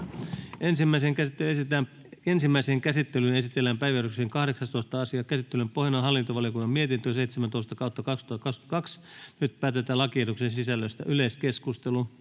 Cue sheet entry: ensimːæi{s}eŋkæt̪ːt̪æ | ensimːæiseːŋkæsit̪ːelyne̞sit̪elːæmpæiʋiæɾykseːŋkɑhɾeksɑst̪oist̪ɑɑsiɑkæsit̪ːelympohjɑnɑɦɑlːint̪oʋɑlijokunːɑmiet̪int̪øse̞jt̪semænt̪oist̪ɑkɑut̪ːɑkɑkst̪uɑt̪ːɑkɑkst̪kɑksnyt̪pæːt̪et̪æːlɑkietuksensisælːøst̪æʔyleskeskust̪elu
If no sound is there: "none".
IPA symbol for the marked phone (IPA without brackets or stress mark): s